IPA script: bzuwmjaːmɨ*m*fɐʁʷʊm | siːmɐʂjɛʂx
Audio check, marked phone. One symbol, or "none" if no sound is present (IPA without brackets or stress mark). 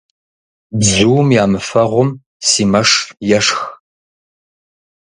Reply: none